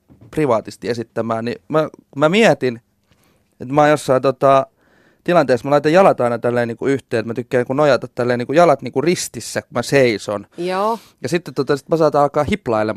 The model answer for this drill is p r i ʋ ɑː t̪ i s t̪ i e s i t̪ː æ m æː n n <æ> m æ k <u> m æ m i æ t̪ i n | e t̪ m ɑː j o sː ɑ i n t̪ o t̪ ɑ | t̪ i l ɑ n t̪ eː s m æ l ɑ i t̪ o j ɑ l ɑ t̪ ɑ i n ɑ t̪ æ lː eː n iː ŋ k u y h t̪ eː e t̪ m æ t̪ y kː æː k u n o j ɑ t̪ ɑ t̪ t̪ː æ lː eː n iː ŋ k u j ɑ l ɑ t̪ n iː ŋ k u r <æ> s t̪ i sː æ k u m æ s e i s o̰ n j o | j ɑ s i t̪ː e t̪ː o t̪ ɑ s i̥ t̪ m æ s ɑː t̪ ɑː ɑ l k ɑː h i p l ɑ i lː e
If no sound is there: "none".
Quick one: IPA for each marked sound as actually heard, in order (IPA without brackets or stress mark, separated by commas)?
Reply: i, u, i